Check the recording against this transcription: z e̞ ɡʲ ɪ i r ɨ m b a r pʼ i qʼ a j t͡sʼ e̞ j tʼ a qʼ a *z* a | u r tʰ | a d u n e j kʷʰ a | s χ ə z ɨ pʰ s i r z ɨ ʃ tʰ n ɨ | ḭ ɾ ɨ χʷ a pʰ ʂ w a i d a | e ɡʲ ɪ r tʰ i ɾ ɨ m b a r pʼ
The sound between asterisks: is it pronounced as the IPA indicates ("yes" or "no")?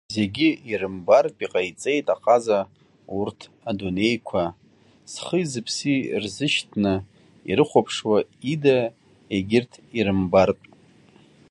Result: yes